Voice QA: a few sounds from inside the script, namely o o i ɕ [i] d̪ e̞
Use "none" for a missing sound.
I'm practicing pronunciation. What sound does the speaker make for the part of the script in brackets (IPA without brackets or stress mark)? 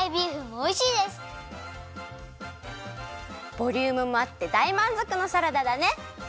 iː